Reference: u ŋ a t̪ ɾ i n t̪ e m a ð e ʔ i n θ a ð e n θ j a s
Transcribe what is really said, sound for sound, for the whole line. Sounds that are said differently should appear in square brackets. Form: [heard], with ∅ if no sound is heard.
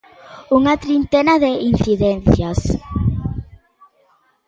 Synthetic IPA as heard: u ŋ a t̪ ɾ i n t̪ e [n] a ð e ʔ i n θ [i] ð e n θ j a s